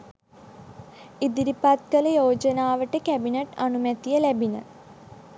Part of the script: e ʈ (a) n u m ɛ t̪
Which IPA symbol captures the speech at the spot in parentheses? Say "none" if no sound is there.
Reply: a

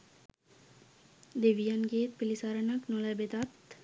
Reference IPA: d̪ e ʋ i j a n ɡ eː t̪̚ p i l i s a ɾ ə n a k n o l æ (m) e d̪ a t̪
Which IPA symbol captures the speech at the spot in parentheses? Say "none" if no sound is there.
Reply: b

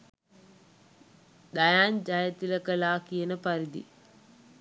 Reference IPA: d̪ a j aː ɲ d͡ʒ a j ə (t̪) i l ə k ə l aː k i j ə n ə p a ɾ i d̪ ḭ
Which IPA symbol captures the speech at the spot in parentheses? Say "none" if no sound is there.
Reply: t̪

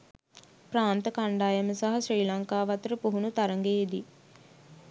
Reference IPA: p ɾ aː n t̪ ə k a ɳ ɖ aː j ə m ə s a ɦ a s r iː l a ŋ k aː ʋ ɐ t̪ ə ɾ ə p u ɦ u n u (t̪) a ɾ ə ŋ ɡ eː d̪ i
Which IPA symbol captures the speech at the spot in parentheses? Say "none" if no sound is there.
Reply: t̪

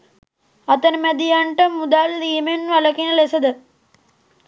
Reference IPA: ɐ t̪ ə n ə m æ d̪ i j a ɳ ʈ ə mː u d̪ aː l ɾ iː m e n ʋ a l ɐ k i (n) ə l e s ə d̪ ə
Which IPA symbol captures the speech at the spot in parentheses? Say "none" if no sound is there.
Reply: n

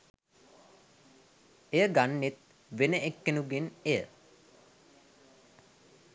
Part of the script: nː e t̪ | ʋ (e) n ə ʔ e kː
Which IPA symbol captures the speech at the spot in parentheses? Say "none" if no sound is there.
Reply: e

